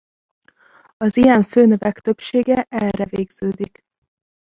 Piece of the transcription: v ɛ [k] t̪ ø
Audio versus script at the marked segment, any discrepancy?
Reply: no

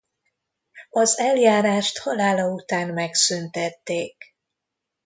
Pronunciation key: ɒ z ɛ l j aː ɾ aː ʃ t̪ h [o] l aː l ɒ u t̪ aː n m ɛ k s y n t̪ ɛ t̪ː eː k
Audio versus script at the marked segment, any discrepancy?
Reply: yes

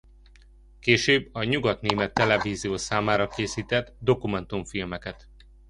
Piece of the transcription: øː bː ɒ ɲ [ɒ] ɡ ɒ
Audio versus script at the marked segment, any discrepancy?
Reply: yes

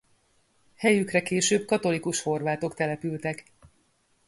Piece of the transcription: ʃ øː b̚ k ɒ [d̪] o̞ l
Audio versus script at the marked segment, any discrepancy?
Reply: yes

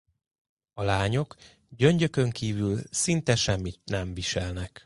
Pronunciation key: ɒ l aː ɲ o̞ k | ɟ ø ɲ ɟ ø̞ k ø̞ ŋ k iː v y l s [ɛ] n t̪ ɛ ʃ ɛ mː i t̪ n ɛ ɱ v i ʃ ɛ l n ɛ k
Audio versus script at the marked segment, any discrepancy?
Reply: yes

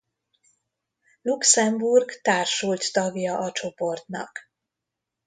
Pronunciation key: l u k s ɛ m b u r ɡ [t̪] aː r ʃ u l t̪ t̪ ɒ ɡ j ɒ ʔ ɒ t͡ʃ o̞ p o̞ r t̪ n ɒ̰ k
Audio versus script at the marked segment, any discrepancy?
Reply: no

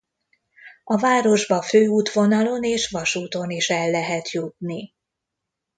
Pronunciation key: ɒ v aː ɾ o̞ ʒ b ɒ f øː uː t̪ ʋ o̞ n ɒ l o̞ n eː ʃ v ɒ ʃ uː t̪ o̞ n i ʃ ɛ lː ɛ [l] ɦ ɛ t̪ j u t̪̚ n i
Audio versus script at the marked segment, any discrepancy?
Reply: yes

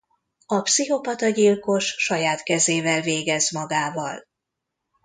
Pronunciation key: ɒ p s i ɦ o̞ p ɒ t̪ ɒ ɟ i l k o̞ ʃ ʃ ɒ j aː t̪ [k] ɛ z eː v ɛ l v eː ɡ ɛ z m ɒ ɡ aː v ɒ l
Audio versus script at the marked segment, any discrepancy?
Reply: no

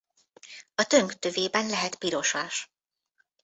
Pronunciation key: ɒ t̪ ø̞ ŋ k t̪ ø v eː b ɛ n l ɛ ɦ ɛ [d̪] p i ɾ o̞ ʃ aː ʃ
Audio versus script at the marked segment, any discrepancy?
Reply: yes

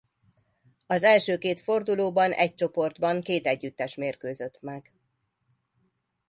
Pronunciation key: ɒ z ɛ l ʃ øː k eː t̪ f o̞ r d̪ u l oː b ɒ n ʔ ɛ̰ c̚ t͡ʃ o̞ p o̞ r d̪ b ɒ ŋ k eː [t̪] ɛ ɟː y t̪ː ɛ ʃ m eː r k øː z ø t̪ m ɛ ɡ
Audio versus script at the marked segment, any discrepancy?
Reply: no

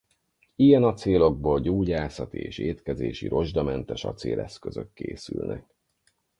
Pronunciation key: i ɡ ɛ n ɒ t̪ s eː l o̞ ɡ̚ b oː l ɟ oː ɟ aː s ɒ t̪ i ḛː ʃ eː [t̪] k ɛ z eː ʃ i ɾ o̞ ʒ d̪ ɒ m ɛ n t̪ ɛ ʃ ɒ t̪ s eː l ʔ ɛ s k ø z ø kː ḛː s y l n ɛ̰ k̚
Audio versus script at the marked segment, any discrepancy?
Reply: no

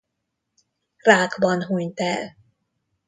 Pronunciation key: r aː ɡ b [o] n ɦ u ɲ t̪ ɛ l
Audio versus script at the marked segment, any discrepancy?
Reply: yes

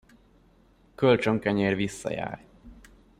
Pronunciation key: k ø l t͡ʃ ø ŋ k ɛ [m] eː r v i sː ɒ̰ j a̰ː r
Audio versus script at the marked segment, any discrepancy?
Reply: yes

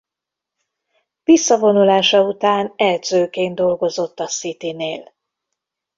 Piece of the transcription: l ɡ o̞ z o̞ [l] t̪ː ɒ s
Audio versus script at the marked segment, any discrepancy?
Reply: yes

